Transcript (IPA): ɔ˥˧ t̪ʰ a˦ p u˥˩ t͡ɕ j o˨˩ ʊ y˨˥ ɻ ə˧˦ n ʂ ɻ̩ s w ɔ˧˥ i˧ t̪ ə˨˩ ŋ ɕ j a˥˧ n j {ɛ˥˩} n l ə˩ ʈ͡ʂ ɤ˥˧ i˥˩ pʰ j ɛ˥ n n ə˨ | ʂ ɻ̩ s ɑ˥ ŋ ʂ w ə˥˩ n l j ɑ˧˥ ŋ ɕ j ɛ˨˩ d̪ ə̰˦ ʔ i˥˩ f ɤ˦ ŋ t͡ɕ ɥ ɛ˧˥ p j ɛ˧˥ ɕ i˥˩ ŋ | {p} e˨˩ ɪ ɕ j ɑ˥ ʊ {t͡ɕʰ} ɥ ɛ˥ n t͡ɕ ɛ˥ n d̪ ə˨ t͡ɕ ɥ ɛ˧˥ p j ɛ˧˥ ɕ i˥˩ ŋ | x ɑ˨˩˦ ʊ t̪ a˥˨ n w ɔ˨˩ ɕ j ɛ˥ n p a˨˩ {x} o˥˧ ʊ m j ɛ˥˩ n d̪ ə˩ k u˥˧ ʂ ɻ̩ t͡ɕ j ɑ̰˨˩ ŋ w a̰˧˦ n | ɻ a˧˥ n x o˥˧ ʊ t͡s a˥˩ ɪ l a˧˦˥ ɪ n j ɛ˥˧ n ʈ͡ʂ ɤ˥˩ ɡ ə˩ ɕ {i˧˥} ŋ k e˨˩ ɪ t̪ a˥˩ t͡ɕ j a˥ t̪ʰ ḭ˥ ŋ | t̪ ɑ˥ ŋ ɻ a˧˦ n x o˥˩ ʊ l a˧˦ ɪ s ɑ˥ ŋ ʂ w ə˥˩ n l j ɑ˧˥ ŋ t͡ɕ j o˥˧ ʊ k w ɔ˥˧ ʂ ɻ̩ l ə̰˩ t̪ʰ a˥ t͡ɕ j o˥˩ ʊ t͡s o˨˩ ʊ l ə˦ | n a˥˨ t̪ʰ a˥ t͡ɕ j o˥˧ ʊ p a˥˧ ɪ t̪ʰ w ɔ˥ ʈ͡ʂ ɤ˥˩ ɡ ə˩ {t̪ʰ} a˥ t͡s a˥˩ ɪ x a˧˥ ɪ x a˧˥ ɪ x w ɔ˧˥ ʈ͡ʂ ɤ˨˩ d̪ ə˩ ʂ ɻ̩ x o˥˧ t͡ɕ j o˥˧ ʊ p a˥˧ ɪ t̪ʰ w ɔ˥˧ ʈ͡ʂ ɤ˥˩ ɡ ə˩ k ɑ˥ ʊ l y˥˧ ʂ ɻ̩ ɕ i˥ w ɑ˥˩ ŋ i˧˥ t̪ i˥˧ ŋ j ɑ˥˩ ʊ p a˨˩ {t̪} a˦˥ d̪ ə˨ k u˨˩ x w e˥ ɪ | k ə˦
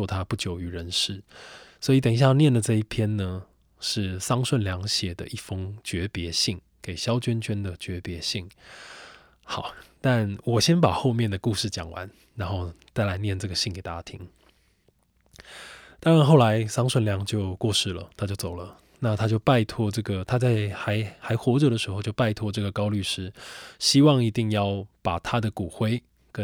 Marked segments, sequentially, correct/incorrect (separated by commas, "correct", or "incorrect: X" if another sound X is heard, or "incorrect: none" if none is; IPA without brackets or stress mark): correct, incorrect: k, incorrect: t͡ɕ, correct, incorrect: i˥˩, correct, incorrect: t̪ʰ